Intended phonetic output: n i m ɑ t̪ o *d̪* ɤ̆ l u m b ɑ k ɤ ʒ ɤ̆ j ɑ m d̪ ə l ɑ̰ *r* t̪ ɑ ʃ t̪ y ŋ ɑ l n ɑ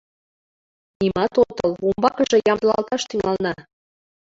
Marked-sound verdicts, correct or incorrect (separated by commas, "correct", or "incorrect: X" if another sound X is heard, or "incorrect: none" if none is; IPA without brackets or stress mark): incorrect: t̪, incorrect: l